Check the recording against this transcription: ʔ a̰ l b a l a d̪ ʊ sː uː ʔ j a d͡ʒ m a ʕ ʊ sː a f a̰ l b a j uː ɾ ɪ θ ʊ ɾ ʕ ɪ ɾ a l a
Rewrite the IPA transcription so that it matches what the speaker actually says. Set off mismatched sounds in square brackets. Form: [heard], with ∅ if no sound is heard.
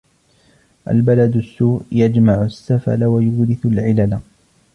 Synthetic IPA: ʔ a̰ l b a l a d̪ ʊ sː uː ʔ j a d͡ʒ m a ʕ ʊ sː a f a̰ l [w] a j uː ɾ ɪ θ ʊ [l] ʕ ɪ [l] a l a